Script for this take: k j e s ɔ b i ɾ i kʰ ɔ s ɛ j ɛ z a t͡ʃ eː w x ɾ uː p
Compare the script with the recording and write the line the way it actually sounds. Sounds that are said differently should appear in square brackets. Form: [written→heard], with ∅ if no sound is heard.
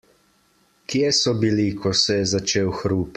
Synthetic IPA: k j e s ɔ b i [ɾ→l] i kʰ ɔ s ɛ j ɛ z a t͡ʃ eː w x ɾ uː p